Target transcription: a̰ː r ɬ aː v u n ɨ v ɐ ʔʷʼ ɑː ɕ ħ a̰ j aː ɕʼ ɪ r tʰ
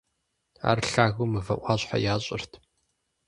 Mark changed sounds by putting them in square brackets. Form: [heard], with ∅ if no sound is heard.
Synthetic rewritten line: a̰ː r ɬ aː [ɣ] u [m] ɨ v ɐ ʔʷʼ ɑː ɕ ħ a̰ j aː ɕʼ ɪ r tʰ

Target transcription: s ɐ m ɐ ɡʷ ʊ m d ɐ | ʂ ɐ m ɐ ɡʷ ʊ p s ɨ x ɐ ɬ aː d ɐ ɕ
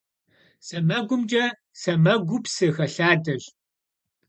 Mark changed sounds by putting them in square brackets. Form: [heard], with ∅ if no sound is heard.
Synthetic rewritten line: s ɐ m ɐ ɡʷ ʊ m [d͡ʒ] ɐ | [s] ɐ m ɐ ɡʷ ʊ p s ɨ x ɐ ɬ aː d ɐ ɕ

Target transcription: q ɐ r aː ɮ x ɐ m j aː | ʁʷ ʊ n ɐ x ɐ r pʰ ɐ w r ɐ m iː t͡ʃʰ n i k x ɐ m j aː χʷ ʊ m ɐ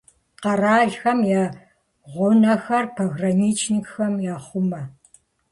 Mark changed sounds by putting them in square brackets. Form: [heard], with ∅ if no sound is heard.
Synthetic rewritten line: q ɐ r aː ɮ x ɐ m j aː | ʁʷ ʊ n ɐ x ɐ r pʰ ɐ [ɣ] r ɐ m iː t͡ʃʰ n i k x ɐ m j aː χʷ ʊ m ɐ

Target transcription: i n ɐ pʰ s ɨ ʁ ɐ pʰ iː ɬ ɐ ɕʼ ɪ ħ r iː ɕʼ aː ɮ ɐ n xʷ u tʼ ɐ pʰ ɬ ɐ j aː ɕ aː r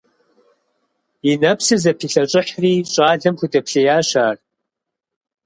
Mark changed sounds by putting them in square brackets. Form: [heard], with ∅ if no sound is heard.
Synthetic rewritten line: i n ɐ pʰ s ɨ [z] ɐ pʰ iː ɬ ɐ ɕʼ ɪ ħ r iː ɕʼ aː ɮ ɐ [m] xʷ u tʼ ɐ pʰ ɬ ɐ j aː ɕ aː r

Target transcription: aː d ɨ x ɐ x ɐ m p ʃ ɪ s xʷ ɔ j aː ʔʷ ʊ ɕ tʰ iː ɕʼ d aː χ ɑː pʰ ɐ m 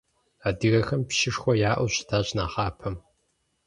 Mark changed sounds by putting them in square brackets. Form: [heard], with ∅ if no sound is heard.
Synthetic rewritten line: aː d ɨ [ɣ] ɐ x ɐ m p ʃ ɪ [ʂ] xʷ ɔ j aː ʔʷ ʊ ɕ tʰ [aː] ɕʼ [n] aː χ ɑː pʰ ɐ m

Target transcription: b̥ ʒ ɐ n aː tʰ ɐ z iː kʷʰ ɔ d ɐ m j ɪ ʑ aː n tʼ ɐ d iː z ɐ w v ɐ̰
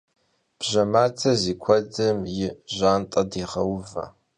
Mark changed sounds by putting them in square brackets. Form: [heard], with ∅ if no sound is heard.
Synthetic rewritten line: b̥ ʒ ɐ [m] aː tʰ ɐ z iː kʷʰ ɔ d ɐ m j ɪ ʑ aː n tʼ ɐ d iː [ʁ] ɐ w v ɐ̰

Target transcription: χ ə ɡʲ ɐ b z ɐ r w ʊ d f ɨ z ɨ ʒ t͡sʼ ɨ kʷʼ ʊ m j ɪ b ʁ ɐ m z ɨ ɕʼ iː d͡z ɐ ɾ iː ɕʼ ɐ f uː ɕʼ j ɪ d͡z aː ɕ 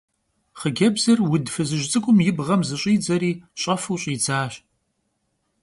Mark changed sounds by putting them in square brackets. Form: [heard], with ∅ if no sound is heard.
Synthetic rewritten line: χ ə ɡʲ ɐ b z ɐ r w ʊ d f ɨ z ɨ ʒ t͡sʼ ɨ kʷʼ ʊ m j ɪ b ʁ ɐ m z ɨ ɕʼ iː d͡z ɐ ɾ iː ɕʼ ɐ f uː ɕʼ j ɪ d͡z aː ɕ

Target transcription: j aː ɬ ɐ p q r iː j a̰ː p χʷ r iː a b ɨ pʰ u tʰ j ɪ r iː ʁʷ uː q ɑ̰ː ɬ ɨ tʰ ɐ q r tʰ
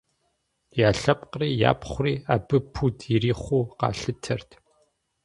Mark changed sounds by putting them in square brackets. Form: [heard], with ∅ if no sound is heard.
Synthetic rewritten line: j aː ɬ ɐ p q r iː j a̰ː p χʷ r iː a b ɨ pʰ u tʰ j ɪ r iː [χʷ] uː q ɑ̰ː ɬ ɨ tʰ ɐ [∅] r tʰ

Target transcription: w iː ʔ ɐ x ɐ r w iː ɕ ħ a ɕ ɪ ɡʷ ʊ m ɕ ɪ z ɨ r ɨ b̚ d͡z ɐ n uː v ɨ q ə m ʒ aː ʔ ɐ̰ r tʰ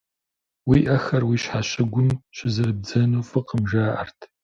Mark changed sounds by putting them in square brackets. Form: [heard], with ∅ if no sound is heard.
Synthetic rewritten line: w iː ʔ ɐ x ɐ r w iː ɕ ħ a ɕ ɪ ɡʷ ʊ m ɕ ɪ z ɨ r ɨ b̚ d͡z ɐ n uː [f] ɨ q ə m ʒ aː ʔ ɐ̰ r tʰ

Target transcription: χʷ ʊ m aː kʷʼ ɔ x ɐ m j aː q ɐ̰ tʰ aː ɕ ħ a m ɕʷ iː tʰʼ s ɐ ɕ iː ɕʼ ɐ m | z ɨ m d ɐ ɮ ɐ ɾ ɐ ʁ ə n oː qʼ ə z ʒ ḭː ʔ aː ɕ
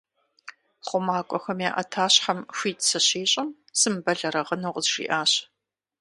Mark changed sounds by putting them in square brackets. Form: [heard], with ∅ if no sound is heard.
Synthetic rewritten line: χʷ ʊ m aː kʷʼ ɔ x ɐ m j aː [ʔ] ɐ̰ tʰ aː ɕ ħ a m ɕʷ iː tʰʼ s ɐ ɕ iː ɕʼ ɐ m | [s] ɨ m [b] ɐ ɮ ɐ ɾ ɐ ʁ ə n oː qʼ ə z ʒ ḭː ʔ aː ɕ

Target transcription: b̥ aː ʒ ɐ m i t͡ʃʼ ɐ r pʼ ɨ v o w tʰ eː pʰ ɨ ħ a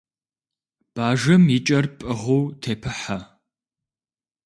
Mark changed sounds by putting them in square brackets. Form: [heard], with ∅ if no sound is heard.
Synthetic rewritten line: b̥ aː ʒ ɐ m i t͡ʃʼ ɐ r pʼ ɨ [ʁ] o w tʰ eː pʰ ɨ ħ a

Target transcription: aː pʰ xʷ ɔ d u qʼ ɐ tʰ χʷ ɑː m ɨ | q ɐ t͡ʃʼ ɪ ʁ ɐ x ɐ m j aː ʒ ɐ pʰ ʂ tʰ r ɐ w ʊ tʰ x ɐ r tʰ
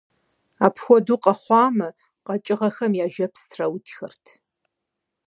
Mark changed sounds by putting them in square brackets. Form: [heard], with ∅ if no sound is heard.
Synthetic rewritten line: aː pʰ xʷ ɔ d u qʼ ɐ [∅] χʷ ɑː m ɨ | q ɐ t͡ʃʼ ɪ ʁ ɐ x ɐ m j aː ʒ ɐ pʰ [s] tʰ r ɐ w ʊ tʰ x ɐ r tʰ

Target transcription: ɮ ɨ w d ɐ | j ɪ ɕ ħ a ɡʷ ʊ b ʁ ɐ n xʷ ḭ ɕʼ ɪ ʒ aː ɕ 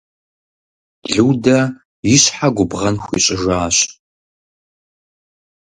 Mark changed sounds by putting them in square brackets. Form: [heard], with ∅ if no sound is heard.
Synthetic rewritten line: ɮ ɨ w d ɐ | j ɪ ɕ ħ a ɡʷ ʊ b ʁ ɐ n xʷ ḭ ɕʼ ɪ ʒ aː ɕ

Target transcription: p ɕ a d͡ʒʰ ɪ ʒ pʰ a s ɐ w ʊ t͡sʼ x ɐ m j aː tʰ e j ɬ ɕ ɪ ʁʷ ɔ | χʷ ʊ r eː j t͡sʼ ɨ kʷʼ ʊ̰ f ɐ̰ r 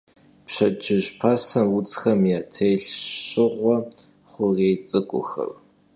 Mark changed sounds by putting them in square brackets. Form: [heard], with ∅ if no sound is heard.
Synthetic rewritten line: p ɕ [ɐ] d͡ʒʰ ɪ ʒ pʰ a s ɐ w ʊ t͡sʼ x ɐ m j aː tʰ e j ɬ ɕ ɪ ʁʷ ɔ | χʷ ʊ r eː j t͡sʼ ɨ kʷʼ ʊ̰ [x] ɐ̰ r

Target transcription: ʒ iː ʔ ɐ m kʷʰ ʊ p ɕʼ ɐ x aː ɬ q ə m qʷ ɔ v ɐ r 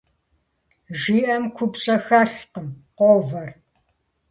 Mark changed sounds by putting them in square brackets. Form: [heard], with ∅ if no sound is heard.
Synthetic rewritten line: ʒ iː ʔ ɐ m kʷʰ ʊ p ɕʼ ɐ x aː ɬ q ə m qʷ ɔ v ɐ r

